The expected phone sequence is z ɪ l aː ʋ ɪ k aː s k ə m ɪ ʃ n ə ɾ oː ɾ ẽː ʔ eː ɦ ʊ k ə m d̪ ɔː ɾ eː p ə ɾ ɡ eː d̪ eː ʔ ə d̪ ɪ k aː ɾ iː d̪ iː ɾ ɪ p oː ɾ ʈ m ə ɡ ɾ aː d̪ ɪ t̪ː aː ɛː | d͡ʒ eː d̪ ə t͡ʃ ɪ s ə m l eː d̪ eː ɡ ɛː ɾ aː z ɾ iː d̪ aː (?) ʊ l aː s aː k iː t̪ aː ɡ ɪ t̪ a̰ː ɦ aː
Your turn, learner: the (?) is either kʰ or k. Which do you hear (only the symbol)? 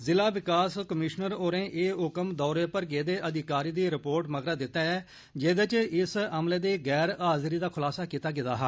kʰ